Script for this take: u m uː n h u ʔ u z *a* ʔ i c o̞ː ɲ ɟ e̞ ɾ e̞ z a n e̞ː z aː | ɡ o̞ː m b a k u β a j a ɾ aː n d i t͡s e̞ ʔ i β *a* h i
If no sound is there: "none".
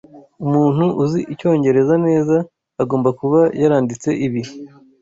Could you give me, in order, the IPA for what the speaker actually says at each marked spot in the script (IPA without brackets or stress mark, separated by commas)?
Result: i, i